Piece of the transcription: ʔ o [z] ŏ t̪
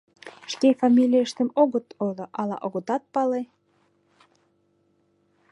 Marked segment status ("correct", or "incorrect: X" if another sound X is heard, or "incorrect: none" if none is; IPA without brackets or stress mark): incorrect: ɣ